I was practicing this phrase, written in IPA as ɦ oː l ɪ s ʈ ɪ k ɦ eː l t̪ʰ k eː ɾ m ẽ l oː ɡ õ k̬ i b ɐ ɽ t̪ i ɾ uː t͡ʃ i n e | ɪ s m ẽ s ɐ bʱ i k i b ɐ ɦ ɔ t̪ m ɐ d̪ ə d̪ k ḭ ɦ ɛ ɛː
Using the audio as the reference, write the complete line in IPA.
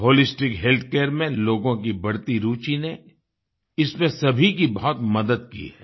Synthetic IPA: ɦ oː l ɪ s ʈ ɪ k ɦ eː l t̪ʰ k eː ɾ m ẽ l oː ɡ õ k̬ i b ɐ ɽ t̪ i ɾ uː t͡ʃ i n e | ɪ s m ẽ s ɐ bʱ i k i b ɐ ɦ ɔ t̪ m ɐ d̪ ə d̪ k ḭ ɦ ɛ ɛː

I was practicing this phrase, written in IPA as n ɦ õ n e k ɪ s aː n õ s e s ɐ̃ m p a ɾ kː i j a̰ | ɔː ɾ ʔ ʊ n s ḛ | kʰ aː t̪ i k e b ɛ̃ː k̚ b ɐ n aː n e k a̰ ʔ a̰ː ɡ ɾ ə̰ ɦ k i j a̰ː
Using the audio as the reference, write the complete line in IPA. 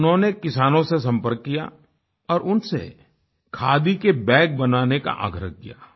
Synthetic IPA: n ɦ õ n e k ɪ s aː n õ s e s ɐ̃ m p ə ɾ kː i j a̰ | ɔː ɾ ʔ ʊ n s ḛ | kʰ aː d̪ i k e b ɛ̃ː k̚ b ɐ n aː n e k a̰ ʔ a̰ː ɡ ɾ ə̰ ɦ k i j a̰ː

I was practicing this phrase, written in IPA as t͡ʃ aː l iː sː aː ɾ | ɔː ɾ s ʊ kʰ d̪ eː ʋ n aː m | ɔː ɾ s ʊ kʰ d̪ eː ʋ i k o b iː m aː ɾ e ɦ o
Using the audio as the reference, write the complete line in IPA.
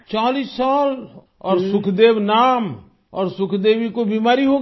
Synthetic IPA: t͡ʃ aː l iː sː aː l | ɔː ɾ s ʊ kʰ d̪ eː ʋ n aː m | ɔː ɾ s ʊ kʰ d̪ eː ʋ i k o b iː m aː ɾ i ɦ o

